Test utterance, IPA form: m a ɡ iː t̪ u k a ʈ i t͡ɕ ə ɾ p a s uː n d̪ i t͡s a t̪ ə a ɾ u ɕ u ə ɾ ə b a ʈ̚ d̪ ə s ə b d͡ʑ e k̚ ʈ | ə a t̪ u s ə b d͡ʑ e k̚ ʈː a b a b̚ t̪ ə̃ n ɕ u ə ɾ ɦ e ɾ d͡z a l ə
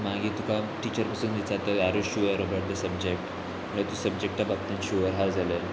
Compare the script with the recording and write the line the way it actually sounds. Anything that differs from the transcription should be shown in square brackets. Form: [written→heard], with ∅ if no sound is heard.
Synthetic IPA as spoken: m a ɡ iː t̪ u k a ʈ i t͡ɕ ə ɾ p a s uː n d̪ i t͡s a t̪ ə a ɾ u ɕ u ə ɾ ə b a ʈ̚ d̪ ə s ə b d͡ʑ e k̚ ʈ | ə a t̪ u s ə b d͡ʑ e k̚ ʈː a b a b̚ t̪ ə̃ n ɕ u ə ɾ ɦ [e→a] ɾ d͡z a l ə